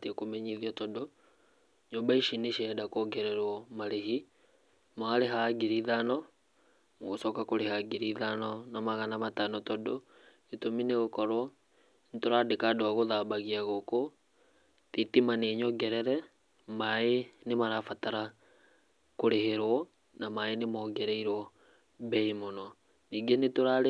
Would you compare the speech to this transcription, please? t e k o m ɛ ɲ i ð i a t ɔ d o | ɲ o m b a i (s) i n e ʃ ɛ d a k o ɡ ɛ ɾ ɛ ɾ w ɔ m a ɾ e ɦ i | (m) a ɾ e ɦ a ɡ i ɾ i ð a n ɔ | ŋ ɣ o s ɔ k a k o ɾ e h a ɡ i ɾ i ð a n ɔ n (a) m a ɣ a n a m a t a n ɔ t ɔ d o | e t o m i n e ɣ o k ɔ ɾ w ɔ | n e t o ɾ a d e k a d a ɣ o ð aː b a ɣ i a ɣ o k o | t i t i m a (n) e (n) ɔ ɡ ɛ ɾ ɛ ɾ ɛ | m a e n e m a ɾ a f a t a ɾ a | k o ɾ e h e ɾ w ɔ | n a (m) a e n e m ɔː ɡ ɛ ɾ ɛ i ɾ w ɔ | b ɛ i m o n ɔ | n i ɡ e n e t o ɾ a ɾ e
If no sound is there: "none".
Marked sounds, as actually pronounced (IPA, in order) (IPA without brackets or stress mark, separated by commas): ʃ, m, a, n, ɲ, m